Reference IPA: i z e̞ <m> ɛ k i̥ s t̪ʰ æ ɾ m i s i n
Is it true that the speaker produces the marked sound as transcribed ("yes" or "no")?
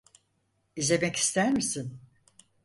yes